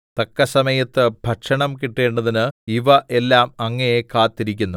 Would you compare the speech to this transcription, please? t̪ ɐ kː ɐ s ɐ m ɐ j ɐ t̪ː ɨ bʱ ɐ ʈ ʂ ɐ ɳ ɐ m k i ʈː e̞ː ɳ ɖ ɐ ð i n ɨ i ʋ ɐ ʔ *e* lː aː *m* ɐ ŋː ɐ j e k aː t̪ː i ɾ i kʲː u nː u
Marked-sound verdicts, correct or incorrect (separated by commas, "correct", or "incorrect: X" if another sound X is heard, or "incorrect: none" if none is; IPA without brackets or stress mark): correct, correct